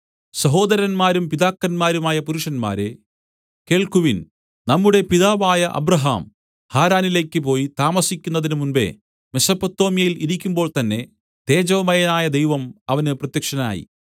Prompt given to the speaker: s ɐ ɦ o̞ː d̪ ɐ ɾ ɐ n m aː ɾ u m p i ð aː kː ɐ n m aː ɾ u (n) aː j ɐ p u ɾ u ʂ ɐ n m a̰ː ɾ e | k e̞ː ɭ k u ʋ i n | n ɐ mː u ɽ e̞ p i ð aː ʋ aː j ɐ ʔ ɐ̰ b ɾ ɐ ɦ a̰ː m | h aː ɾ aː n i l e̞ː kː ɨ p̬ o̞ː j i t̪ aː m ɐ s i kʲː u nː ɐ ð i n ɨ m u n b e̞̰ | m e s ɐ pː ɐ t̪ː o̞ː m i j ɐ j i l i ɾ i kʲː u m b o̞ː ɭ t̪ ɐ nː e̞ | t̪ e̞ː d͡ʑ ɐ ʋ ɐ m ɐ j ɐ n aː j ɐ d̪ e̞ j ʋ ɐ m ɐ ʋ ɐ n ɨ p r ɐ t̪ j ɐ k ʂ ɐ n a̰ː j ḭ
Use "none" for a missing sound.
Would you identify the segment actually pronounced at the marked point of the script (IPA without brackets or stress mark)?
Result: m